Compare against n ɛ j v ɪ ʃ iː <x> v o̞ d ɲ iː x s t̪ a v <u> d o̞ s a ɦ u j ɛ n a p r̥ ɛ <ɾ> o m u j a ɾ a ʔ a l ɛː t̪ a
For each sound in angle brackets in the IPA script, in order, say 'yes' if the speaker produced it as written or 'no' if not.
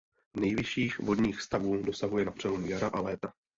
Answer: yes, no, no

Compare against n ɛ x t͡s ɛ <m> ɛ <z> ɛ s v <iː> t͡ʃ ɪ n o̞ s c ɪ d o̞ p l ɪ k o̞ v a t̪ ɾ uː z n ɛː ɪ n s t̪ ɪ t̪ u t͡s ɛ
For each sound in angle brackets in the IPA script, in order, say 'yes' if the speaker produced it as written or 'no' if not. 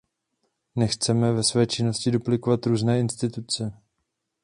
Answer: yes, no, no

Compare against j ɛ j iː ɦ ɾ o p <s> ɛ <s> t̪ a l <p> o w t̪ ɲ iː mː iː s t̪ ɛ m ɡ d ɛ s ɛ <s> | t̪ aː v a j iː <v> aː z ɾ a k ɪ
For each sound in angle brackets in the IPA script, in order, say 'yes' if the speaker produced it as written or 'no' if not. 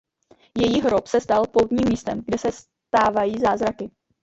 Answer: yes, yes, yes, yes, no

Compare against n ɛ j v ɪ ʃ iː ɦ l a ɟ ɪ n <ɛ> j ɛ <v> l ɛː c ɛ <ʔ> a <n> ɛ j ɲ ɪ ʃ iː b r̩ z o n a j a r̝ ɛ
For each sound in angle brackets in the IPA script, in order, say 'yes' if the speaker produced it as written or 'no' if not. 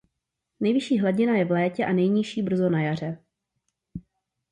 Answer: no, yes, yes, yes

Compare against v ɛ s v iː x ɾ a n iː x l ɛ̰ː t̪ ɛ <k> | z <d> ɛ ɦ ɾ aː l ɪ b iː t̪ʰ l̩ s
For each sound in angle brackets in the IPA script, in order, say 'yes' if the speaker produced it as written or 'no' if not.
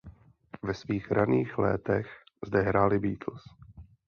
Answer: no, yes

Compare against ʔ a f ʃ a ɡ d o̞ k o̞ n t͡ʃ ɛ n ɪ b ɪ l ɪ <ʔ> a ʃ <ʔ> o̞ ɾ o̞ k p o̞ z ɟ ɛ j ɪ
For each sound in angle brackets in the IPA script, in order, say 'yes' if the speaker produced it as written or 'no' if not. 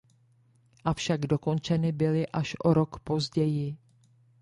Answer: yes, yes

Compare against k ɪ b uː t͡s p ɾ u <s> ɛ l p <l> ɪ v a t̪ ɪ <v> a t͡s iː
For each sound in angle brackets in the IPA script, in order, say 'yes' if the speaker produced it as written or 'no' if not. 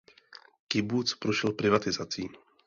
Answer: no, no, no

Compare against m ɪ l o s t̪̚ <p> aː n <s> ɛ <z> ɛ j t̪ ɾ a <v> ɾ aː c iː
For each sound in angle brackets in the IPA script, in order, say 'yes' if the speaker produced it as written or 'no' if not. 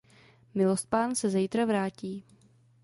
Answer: yes, yes, yes, yes

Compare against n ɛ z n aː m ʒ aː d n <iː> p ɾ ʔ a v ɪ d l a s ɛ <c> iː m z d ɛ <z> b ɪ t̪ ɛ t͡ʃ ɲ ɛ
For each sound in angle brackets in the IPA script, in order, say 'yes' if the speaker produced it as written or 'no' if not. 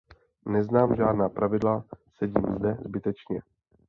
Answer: no, no, yes

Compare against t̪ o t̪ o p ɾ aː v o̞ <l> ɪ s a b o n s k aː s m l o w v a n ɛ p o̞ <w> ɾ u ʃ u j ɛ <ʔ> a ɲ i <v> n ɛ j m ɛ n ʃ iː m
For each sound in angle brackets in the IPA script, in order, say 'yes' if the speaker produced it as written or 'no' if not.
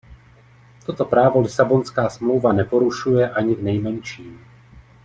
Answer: yes, no, yes, yes

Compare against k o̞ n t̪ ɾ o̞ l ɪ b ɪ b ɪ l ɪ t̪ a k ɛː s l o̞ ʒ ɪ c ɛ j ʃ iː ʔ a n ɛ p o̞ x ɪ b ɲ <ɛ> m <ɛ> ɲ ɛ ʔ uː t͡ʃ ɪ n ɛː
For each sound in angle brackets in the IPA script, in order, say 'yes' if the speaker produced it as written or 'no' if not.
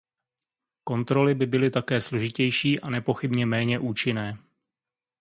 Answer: yes, no

